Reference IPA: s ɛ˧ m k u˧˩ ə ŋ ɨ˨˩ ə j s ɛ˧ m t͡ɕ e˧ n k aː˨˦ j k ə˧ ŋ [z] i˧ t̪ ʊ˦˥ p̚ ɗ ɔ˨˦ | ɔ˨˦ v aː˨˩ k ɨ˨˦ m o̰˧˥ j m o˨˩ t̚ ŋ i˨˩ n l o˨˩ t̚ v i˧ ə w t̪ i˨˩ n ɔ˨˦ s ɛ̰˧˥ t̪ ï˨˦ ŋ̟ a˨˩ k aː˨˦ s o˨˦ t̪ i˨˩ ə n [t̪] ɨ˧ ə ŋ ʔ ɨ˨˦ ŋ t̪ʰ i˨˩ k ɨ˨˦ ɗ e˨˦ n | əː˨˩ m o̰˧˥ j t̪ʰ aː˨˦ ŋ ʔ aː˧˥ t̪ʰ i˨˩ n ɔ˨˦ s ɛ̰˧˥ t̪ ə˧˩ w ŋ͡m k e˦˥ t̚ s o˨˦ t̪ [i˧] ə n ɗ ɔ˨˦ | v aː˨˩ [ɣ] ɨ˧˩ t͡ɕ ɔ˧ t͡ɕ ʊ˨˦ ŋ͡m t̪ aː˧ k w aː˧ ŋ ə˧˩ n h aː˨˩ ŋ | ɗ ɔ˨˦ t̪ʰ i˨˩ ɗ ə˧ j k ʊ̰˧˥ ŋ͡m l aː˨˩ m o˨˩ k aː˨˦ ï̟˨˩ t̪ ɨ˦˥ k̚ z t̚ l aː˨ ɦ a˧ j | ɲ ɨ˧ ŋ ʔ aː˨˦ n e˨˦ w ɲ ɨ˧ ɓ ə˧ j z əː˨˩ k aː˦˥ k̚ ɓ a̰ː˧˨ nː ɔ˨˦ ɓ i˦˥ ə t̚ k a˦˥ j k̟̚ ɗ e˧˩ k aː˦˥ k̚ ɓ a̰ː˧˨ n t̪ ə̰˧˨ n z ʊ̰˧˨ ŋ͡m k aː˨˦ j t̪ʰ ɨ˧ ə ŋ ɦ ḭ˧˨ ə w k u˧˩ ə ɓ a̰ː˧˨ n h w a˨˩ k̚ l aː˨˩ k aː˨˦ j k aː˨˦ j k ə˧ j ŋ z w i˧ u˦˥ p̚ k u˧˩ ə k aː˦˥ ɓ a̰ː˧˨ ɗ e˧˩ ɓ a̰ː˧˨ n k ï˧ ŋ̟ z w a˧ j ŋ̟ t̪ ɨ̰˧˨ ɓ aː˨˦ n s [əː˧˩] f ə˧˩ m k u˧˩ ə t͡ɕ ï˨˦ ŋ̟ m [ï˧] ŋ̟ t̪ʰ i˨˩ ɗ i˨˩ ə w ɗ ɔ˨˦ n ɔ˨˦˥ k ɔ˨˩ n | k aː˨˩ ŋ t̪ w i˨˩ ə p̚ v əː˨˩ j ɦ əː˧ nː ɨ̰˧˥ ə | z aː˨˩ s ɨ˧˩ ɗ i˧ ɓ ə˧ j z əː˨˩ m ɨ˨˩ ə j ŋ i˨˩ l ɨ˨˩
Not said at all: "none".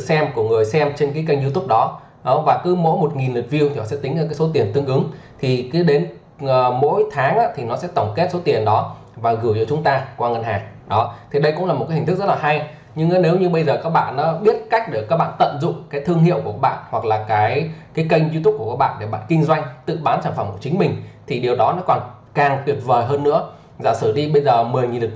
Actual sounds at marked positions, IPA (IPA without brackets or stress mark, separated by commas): z, t̪, i˨˩, ɣ, aː˧˩, ï˨˩